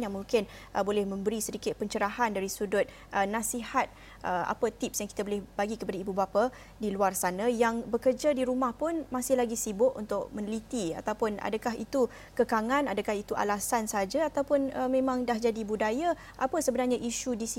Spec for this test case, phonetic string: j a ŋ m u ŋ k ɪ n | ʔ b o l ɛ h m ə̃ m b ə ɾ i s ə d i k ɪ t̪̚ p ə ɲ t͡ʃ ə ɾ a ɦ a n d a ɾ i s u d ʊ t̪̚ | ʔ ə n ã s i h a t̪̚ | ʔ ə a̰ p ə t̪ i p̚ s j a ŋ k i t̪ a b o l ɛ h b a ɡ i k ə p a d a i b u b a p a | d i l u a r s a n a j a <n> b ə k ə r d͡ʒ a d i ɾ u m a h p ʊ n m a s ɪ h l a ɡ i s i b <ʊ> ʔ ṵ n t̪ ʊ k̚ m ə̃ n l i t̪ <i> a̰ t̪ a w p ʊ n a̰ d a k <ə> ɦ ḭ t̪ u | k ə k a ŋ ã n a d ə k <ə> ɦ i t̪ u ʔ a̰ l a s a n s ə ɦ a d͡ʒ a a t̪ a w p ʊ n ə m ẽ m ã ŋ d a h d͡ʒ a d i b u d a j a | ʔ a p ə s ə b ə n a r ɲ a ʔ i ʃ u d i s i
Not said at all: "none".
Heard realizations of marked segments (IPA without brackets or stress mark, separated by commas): ŋ, ʊ, i, a, a